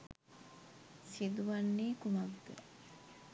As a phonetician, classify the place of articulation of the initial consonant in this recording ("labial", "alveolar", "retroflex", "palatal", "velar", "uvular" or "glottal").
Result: alveolar